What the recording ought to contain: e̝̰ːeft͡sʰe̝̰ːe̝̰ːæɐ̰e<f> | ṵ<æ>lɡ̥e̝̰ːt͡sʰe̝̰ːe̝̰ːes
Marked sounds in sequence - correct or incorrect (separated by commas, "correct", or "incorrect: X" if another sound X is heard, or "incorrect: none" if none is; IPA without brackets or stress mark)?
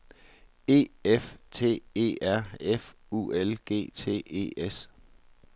correct, incorrect: e